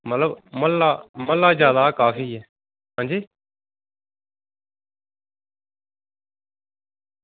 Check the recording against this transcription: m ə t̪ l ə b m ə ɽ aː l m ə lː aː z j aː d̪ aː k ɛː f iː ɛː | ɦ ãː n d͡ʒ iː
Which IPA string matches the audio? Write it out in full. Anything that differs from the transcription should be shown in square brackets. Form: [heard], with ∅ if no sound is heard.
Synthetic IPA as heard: m ə t̪ l ə b m ə [l] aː [∅] m ə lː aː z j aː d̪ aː k [aː] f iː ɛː | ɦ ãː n d͡ʒ iː

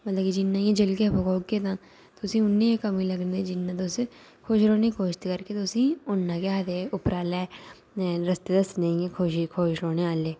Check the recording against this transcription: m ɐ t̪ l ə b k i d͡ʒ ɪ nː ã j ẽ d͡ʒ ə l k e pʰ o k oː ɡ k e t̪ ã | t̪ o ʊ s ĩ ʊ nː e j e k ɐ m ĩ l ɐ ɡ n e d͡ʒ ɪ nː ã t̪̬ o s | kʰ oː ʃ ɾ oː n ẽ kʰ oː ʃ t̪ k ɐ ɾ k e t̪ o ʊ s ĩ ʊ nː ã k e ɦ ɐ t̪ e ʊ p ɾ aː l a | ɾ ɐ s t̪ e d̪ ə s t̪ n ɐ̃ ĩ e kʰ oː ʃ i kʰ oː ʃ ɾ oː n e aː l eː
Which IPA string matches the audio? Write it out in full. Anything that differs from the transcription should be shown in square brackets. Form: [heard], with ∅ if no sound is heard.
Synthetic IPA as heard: m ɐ t̪ l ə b k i d͡ʒ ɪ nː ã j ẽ d͡ʒ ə l k e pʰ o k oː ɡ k e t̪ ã | t̪ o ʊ s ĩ ʊ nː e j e k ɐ m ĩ l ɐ ɡ n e d͡ʒ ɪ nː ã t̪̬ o s | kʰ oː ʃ ɾ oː n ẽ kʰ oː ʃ t̪ k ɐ ɾ k e t̪ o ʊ s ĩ ʊ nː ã k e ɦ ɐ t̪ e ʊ p ɾ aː l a | ɾ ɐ s t̪ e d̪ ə s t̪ n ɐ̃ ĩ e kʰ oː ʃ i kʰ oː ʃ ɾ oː n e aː l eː

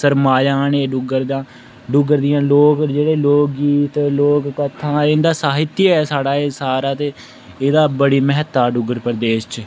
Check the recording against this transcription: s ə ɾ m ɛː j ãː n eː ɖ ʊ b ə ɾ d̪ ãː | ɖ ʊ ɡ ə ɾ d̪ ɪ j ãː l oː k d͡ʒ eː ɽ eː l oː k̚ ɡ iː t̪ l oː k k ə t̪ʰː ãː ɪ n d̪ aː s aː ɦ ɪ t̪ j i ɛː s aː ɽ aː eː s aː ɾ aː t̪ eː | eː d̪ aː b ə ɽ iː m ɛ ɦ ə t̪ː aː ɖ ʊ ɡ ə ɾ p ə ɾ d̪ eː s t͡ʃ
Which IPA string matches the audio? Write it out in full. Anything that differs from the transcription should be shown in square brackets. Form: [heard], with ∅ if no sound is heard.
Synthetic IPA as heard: s ə ɾ m [aː] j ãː n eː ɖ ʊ [ɡ] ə ɾ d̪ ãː | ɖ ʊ ɡ ə ɾ d̪ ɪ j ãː l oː k d͡ʒ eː ɽ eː l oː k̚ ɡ iː t̪ l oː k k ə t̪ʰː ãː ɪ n d̪ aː s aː ɦ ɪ t̪ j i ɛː s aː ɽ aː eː s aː ɾ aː t̪ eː | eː d̪ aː b ə ɽ iː m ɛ ɦ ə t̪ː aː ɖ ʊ ɡ ə ɾ p ə ɾ d̪ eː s t͡ʃ

